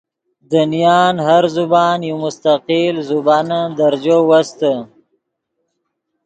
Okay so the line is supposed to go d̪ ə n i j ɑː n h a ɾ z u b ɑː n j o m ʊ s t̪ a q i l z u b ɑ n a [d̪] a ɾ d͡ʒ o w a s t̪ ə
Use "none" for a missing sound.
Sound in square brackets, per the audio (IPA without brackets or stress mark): d̪